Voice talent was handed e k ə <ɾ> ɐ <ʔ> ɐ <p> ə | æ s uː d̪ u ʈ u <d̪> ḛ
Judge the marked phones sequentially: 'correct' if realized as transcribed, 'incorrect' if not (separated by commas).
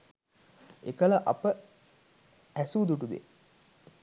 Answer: incorrect, correct, correct, correct